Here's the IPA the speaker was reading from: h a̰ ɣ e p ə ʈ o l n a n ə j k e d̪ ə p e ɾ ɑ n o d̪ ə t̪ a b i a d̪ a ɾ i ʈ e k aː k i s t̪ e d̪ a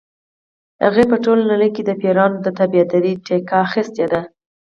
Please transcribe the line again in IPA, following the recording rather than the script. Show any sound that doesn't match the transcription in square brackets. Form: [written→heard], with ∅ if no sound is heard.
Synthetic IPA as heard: h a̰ ɣ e p ə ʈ o l n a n ə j k e d̪ ə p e ɾ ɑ n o d̪ ə t̪ a b i a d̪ a ɾ i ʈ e k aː [k→x] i s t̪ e d̪ a